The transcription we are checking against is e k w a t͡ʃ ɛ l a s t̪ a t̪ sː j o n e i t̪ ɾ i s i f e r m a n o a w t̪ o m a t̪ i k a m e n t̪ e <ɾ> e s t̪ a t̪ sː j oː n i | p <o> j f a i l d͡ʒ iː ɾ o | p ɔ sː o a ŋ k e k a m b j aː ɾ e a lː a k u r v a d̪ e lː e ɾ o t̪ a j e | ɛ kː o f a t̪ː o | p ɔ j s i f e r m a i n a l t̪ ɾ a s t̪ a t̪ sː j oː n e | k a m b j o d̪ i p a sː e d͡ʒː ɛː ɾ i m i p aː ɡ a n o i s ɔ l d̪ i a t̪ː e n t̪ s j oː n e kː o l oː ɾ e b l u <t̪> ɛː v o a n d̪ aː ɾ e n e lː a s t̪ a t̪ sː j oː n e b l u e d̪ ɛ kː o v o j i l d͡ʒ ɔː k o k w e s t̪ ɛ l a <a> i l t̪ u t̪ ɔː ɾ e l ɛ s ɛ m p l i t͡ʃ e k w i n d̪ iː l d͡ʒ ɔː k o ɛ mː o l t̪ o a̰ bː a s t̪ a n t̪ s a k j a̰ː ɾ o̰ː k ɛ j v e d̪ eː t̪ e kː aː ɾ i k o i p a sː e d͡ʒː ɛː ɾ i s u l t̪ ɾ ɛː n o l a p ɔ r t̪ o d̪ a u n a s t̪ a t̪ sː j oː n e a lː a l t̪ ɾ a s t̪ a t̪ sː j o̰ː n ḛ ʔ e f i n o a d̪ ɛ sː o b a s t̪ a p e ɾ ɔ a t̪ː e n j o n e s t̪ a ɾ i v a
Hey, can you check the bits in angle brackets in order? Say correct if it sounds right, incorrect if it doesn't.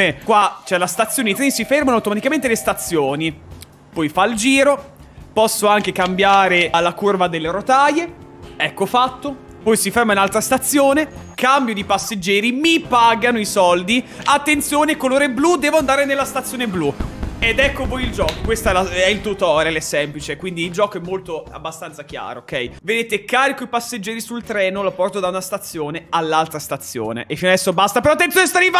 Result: incorrect: l, incorrect: ɔ, incorrect: d̪, incorrect: ɛ

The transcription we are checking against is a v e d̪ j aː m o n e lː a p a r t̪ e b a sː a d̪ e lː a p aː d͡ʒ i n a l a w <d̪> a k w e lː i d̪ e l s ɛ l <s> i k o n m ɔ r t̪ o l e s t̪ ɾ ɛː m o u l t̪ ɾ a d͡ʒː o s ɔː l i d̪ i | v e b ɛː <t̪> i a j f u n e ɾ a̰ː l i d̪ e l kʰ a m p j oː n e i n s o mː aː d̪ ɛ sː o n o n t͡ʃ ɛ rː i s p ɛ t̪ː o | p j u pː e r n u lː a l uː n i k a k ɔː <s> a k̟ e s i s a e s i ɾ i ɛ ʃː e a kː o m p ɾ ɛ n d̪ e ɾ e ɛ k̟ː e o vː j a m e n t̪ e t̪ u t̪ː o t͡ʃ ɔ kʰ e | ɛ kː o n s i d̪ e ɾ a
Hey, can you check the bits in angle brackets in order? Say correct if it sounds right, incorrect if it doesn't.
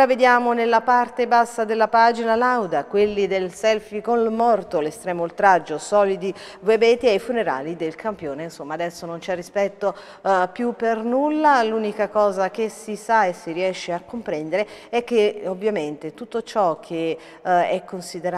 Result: correct, incorrect: f, correct, incorrect: z

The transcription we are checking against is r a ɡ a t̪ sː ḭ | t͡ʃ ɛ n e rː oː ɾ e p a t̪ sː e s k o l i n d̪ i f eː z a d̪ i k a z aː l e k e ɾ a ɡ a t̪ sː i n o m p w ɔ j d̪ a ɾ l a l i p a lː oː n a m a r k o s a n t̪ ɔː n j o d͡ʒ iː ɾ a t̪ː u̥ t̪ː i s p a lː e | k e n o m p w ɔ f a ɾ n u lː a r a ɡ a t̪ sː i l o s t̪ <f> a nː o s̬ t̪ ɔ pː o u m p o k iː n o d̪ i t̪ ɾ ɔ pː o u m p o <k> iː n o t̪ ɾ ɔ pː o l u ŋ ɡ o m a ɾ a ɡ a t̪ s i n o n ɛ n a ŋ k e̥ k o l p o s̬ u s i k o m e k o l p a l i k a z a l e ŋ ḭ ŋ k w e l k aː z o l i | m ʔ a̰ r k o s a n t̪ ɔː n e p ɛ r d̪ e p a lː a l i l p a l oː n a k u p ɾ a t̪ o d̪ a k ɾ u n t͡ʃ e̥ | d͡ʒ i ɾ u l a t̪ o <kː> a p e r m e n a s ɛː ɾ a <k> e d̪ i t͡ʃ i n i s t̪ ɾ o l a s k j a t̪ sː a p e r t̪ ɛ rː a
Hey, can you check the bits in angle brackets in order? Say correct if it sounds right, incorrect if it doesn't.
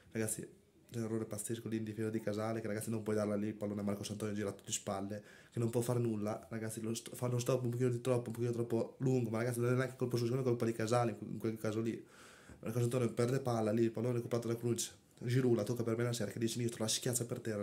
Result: correct, correct, correct, correct

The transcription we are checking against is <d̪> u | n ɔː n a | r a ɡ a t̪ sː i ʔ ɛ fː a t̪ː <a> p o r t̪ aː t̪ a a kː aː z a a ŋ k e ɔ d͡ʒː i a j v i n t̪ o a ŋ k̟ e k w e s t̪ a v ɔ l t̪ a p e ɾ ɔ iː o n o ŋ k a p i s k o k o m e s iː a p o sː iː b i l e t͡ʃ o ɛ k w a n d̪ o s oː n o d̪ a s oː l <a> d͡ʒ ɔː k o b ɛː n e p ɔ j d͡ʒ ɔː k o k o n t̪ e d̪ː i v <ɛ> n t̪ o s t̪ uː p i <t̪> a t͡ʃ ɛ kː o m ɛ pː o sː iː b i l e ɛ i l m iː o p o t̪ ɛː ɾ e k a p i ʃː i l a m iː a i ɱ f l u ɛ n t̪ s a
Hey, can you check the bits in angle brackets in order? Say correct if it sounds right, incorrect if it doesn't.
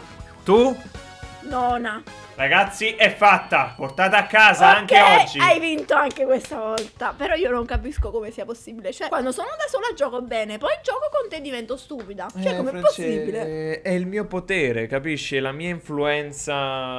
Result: incorrect: t̪, correct, correct, correct, incorrect: d̪

